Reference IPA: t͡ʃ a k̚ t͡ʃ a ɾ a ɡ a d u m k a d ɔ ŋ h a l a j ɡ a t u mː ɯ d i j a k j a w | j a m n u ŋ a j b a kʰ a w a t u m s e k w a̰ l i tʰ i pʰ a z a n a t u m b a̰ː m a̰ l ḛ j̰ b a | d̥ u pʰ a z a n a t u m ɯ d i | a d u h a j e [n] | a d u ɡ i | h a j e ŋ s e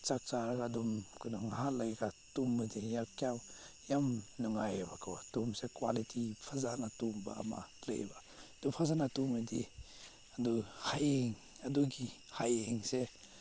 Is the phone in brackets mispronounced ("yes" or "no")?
yes